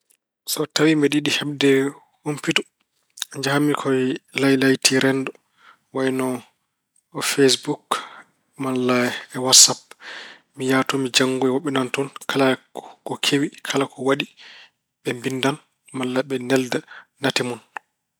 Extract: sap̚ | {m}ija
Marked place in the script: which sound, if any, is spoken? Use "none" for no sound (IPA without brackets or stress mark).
m